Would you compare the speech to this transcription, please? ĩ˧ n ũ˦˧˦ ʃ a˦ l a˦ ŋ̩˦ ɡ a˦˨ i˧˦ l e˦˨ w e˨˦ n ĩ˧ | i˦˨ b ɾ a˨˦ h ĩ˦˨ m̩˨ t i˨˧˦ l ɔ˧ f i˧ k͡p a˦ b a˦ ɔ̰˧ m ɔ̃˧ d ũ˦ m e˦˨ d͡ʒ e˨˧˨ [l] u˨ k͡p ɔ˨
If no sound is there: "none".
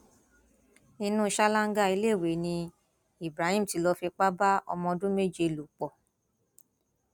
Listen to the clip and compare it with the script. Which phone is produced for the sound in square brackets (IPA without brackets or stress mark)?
l